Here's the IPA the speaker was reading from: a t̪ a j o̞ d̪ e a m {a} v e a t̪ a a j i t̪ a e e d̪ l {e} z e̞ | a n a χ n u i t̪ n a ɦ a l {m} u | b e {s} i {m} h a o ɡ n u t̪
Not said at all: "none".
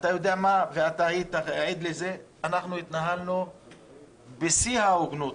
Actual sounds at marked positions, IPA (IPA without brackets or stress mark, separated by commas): a, e, n, s, none